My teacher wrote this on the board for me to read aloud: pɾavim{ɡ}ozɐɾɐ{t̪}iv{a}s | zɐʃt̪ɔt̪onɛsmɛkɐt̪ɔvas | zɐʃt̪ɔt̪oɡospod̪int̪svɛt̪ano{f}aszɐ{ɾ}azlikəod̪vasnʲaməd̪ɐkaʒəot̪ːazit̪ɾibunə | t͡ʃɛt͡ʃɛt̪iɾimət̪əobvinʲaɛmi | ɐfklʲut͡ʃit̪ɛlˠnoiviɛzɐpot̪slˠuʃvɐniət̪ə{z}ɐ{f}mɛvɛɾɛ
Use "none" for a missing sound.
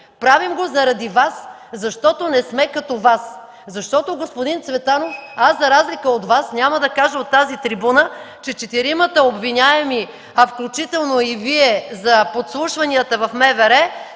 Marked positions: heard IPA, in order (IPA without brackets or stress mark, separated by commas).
ɡ, d̪, a, f, ɾ, v, f